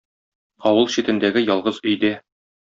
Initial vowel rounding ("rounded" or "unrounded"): rounded